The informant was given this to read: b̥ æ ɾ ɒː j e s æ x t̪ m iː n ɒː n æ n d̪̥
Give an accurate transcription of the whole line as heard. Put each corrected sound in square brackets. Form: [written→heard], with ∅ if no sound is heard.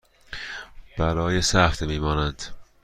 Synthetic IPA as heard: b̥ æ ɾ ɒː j e s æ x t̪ m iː [n→m] ɒː n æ n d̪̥